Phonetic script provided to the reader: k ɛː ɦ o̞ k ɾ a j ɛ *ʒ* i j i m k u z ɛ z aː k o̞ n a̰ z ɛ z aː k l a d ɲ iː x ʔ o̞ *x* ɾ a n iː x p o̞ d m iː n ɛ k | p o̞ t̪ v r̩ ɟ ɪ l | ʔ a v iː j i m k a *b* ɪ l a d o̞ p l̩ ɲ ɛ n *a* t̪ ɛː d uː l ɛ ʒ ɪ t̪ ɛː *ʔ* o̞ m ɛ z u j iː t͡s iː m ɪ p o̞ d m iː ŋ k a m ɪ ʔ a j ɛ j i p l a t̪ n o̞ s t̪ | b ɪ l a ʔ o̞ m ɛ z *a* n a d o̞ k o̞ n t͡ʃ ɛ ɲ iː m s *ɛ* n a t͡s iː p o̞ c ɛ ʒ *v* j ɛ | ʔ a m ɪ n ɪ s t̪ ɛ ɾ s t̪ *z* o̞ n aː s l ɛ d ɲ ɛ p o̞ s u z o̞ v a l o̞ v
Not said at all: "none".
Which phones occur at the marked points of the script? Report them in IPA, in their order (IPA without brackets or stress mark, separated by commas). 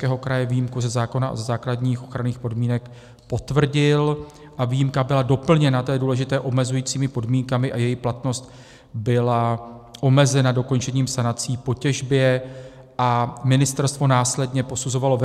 v, x, b, a, ʔ, ɛ, a, b, v